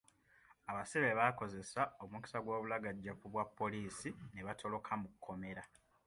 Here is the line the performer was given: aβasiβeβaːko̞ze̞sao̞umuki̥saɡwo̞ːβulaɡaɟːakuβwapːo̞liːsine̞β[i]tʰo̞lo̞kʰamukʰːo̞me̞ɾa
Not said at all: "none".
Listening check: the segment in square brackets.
a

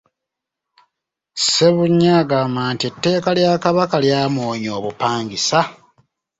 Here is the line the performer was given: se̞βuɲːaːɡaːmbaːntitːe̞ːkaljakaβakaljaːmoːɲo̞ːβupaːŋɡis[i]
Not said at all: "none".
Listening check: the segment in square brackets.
a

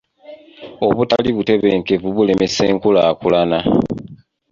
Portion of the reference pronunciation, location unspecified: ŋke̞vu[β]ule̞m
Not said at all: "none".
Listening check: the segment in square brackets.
β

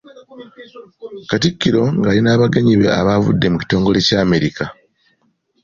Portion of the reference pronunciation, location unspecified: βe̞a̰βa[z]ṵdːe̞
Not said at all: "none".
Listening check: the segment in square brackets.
v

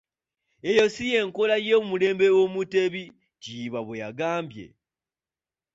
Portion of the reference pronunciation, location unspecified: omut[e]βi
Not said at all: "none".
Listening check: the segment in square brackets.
e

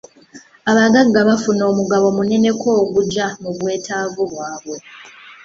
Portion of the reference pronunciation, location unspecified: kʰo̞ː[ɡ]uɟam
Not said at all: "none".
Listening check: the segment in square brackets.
ɡ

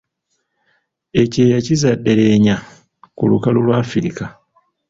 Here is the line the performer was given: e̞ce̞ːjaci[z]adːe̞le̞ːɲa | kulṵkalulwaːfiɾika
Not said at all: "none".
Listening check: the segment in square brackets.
z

